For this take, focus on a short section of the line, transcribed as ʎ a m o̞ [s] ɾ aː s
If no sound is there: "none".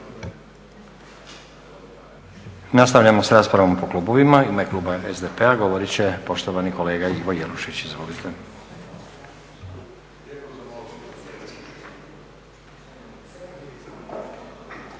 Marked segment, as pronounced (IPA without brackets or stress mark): s